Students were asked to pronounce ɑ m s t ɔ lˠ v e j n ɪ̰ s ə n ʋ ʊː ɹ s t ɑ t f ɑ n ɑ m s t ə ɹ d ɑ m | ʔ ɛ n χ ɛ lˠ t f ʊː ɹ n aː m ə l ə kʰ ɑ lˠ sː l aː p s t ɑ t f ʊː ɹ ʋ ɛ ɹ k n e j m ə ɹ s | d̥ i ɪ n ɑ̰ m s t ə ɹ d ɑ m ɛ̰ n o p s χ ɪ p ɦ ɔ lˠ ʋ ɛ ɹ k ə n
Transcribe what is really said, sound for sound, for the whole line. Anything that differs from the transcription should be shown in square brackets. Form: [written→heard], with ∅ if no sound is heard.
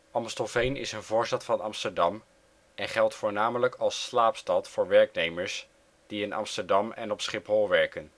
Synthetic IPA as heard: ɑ m s t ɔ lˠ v e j n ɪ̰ s ə n [ʋ→v] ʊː ɹ s t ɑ t f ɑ n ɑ m s t ə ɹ d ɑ m | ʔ ɛ n χ ɛ lˠ t f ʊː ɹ n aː m ə l ə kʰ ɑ lˠ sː l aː p s t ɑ t f ʊː ɹ ʋ ɛ ɹ k n e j m ə ɹ s | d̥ i ɪ n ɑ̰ m s t ə ɹ d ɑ m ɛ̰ n [o→ɔ] p s χ ɪ p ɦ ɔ lˠ ʋ ɛ ɹ k ə n